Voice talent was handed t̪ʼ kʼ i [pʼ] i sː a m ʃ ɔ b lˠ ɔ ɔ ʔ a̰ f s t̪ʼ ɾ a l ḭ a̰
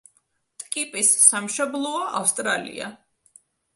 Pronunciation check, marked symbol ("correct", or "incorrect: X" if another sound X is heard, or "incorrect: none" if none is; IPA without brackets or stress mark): correct